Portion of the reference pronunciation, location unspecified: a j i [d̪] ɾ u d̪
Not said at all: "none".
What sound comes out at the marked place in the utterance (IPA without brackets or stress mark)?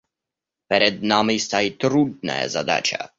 t̪